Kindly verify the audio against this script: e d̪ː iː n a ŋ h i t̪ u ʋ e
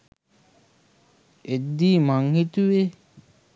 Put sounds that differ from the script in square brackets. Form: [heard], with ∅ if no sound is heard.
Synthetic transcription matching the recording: e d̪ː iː [m] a ŋ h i t̪ u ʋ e